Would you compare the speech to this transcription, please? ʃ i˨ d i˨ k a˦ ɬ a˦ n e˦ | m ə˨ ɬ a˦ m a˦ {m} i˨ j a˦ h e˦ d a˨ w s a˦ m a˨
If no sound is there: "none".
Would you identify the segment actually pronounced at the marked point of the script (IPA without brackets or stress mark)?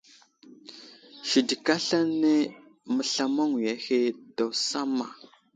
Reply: ŋ